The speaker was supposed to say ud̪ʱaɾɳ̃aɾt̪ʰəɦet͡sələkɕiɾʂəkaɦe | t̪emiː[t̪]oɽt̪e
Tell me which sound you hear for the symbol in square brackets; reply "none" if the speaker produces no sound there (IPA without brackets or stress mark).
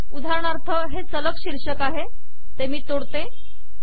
t̪